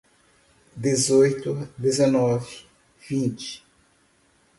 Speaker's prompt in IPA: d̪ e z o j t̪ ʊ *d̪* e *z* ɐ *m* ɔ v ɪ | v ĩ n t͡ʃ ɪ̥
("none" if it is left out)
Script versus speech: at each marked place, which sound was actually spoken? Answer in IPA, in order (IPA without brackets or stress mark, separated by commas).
d̪, z, n